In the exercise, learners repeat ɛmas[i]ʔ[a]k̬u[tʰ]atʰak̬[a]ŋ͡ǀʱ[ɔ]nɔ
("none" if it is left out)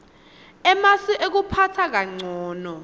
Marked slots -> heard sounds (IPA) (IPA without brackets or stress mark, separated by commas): i, e, pʰ, a, ɔː